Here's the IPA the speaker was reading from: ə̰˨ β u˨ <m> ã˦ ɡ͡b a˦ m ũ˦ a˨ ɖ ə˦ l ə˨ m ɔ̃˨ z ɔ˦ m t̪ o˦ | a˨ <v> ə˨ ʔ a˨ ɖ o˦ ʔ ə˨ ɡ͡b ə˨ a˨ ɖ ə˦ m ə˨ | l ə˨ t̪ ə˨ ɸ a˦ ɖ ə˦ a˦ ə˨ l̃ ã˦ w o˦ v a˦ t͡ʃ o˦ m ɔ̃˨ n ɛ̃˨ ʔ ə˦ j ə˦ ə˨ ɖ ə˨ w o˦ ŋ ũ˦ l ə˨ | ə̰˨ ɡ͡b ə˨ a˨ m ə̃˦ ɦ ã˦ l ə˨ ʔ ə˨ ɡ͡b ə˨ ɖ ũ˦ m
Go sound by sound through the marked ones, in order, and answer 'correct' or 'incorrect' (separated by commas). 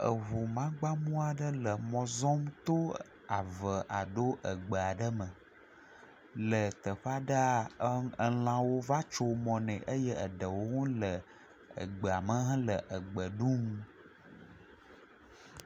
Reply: correct, correct